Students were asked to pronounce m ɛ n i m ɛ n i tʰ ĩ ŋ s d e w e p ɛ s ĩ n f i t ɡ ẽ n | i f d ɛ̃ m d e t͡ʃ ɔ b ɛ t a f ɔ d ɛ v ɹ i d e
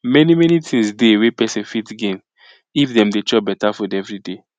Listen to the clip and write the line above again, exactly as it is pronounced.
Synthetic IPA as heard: m ɛ n i m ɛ n i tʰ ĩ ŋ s d e w e p ɛ s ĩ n f i t ɡ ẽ n | i f d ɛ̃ m d e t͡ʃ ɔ b ɛ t a f ɔ d ɛ v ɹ i d e